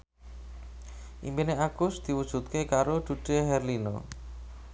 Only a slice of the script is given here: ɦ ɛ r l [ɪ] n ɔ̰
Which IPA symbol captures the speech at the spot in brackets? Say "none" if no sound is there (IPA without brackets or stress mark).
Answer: i